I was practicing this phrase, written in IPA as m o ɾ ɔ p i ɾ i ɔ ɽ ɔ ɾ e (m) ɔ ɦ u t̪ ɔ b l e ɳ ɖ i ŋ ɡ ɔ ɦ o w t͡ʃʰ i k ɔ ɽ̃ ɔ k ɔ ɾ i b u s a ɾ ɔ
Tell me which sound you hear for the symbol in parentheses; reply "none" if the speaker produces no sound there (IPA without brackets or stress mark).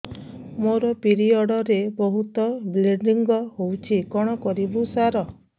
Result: b